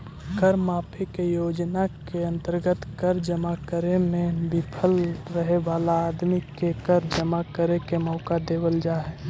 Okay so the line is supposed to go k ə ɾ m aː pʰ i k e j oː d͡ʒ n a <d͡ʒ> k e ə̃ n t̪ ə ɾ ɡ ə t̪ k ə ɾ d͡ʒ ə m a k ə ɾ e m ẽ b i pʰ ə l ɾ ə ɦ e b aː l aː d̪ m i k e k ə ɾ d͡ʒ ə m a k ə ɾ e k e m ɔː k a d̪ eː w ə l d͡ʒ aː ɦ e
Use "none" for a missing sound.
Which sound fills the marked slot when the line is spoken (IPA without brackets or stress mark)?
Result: none